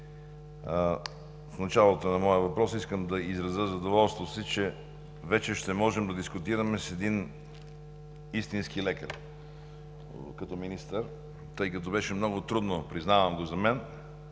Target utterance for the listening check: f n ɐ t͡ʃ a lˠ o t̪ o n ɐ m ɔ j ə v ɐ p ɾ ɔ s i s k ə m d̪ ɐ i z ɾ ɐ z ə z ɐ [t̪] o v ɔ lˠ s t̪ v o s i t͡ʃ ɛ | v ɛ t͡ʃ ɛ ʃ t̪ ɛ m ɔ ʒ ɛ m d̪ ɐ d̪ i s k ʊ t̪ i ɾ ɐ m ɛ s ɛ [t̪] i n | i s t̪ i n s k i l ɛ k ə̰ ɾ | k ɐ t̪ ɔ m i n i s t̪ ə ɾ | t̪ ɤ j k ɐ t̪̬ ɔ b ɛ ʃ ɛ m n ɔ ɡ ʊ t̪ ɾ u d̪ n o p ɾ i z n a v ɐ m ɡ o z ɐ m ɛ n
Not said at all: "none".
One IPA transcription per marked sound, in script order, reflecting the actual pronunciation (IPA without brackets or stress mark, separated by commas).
d̪, d̪